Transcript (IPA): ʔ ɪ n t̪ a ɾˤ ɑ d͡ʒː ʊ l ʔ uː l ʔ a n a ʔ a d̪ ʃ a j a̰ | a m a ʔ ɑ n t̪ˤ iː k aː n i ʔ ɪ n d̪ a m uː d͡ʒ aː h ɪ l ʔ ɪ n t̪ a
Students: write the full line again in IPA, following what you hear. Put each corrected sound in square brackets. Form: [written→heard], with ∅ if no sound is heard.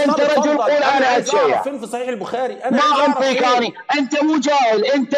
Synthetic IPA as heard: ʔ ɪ n t̪ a ɾˤ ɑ [d͡ʒː→d͡ʒ] ʊ l [ʔ→q] uː l ʔ a n a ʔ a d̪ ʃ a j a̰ | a m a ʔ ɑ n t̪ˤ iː k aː n i ʔ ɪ n [d̪→t̪] a m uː d͡ʒ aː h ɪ l ʔ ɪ n t̪ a